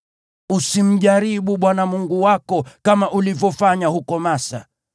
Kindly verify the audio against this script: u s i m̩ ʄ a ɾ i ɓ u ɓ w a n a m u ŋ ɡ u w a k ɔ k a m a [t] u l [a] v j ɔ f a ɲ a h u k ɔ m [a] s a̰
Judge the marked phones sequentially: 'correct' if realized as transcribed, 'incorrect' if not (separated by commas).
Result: incorrect, incorrect, correct